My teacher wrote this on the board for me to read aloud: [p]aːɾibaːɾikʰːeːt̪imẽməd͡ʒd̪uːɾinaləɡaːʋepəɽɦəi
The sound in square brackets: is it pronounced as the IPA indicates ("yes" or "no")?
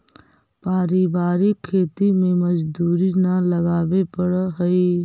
yes